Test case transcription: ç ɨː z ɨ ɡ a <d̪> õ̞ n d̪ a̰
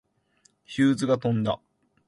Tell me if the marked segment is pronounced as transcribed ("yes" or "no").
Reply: no